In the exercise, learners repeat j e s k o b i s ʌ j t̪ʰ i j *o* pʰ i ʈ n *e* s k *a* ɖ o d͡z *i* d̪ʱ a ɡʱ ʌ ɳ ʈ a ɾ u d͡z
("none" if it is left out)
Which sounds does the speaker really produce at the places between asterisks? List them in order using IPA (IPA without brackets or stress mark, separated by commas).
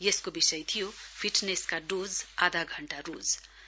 o, e, a, a